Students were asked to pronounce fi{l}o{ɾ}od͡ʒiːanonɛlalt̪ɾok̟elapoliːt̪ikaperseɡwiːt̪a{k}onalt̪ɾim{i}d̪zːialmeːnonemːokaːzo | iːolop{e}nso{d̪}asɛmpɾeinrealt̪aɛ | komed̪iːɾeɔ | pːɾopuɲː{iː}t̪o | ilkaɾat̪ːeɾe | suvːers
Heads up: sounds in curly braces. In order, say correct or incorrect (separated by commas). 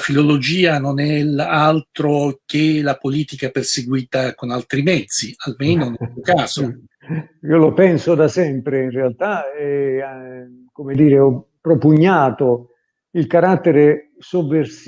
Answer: correct, incorrect, correct, incorrect, incorrect, correct, incorrect